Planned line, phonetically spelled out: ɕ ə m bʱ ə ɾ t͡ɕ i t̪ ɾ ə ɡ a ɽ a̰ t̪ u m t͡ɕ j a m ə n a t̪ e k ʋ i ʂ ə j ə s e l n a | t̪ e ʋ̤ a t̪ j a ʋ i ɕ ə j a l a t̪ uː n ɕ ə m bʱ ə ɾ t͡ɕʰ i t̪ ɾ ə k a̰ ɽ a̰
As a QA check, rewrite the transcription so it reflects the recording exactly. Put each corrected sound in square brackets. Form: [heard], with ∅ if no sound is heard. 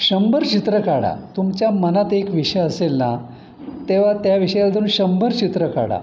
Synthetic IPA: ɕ ə m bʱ ə ɾ t͡ɕ i t̪ ɾ ə [k] a ɽ a̰ t̪ u m t͡ɕ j a m ə n a t̪ e k ʋ i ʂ ə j ə s e l n a | t̪ e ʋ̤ a t̪ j a ʋ i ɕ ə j a l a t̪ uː n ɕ ə m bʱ ə ɾ [t͡ɕ] i t̪ ɾ ə k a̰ ɽ a̰